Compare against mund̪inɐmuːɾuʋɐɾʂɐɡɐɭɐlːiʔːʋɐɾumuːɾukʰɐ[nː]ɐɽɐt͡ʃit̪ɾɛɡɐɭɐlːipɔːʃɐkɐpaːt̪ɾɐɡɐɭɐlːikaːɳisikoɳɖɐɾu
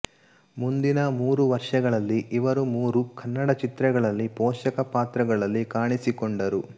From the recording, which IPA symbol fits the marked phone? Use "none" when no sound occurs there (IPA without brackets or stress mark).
nː